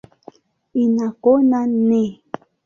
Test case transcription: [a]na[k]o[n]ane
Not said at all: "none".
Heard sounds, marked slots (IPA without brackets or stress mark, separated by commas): i, k, n